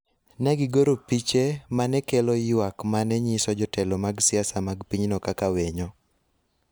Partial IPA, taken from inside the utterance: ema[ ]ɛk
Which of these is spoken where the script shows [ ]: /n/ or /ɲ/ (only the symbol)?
n